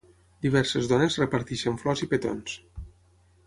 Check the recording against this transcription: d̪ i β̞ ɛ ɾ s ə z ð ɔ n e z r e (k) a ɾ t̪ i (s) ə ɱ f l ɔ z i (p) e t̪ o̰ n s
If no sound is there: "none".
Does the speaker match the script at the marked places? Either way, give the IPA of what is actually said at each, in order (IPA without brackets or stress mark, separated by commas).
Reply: p, ʃ, p